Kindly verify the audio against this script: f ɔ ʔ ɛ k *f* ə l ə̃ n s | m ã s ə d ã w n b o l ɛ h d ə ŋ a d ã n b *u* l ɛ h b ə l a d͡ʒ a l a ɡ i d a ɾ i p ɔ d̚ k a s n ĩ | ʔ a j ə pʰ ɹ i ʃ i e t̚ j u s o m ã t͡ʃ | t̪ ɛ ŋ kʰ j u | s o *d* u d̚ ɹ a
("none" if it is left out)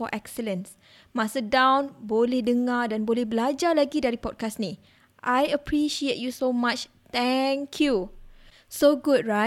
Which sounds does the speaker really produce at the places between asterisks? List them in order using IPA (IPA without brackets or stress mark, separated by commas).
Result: s, o, ɡ